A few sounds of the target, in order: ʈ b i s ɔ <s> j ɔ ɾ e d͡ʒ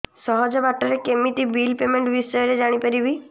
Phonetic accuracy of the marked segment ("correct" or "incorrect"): incorrect